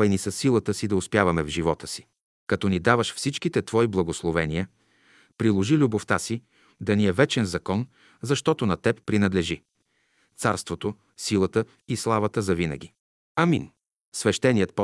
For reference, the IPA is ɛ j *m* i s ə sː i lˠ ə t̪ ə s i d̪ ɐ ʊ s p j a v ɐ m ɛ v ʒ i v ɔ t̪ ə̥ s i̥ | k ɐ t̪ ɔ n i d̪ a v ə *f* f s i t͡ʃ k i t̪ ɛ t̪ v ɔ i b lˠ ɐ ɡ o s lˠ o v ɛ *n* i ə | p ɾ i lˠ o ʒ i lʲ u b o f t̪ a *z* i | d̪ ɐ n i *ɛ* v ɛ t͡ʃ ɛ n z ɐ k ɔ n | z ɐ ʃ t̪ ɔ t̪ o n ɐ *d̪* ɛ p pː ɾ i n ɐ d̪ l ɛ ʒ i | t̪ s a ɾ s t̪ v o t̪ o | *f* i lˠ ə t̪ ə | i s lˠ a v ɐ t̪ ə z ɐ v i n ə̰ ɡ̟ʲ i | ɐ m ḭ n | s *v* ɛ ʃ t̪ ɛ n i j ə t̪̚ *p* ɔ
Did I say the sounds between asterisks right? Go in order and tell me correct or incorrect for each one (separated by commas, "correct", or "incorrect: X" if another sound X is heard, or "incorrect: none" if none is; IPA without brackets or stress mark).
incorrect: n, incorrect: ʃ, correct, incorrect: s, correct, incorrect: t̪, incorrect: s, correct, correct